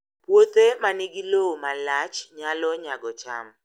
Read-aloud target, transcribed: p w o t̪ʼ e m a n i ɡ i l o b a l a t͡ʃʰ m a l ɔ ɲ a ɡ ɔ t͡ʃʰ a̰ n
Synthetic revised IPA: p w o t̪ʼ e m a n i ɡ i l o m a l a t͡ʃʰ ɲ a l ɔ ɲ a ɡ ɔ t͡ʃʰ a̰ m